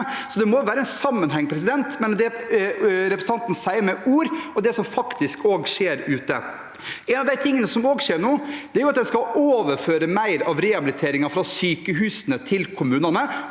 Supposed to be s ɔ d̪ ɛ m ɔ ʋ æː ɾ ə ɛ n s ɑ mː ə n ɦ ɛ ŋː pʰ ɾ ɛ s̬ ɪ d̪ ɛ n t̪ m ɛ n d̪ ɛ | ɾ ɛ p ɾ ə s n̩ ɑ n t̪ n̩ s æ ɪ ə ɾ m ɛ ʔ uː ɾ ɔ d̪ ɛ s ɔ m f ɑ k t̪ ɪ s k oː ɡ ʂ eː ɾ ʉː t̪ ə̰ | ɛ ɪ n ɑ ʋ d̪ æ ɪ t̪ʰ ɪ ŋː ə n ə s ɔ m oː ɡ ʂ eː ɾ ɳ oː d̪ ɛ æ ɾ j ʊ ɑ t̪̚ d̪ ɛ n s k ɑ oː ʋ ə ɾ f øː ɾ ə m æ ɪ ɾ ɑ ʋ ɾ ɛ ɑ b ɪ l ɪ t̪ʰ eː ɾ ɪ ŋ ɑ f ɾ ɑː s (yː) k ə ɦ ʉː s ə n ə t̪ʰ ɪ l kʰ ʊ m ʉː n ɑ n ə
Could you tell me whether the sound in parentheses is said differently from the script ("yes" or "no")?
no